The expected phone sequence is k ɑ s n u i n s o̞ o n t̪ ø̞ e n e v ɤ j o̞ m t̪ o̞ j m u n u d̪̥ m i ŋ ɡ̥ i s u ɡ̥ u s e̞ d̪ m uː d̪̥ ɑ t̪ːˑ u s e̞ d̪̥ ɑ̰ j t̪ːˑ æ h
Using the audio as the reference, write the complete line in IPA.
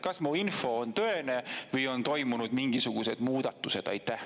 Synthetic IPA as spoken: k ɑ s m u i n f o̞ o n t̪ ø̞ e n e v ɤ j o̞ n t̪ o̞ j m u n u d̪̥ m i ŋ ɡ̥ i s u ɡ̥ u s e̞ d̪ m uː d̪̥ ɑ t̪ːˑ u s e̞ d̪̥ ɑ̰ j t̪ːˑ æ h